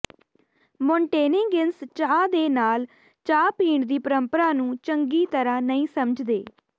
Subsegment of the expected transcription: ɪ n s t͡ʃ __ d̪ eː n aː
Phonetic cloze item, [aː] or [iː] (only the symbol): aː